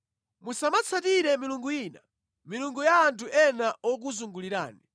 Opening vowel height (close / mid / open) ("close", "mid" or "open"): close